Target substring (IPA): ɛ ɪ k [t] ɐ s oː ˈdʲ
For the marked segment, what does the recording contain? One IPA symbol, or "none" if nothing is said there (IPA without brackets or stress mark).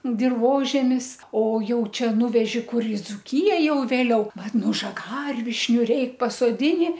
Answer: p